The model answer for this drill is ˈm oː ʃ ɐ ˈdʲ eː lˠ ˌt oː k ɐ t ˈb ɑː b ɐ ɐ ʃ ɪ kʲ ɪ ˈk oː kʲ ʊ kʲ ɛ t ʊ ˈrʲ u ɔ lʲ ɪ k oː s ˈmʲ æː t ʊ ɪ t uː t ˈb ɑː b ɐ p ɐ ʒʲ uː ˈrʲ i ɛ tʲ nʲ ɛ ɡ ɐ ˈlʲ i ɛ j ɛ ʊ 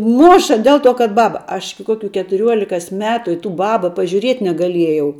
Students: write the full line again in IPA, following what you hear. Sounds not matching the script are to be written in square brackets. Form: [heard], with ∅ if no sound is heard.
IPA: ˈm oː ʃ ɐ ˈdʲ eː lˠ ˌt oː k ɐ t ˈb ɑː b ɐ ɐ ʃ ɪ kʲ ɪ ˈk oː kʲ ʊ kʲ ɛ t ʊ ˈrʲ u ɔ lʲ ɪ k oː s ˈmʲ æː t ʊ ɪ t uː [∅] ˈb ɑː b ɐ p ɐ ʒʲ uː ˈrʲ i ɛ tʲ nʲ ɛ ɡ ɐ ˈlʲ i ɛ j ɛ ʊ